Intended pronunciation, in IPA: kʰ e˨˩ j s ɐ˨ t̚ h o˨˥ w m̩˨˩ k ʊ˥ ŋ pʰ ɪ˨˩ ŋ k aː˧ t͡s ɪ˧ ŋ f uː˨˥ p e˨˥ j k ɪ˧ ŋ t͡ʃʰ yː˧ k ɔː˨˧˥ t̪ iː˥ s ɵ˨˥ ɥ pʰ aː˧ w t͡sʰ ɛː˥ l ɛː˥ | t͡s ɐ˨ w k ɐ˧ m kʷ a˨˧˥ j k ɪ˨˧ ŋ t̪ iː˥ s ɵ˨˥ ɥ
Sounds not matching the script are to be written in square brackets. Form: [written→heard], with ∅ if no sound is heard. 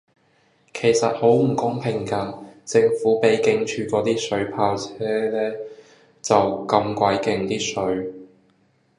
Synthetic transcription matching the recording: kʰ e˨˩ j s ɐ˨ t̚ h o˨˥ w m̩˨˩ k ʊ˥ ŋ pʰ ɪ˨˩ ŋ k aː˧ t͡s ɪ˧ ŋ f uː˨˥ p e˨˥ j k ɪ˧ ŋ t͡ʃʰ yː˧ k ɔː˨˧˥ t̪ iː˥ s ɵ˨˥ ɥ pʰ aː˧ w t͡sʰ ɛː˥ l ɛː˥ | t͡s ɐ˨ w k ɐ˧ m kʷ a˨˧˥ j k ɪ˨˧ ŋ t̪ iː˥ s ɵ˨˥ ɥ